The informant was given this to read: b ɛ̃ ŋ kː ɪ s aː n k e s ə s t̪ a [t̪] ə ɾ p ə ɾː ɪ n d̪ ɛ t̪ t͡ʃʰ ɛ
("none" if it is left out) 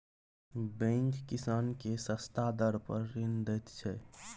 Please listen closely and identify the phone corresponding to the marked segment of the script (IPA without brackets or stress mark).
d̪